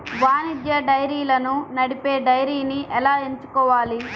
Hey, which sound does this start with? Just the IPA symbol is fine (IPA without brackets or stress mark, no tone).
ʋ